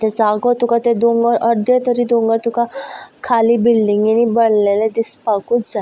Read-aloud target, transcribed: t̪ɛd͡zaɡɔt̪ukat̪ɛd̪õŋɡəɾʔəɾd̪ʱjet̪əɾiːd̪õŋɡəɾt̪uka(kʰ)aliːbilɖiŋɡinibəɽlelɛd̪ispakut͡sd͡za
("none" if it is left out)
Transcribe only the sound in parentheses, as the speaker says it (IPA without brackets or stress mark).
kʰ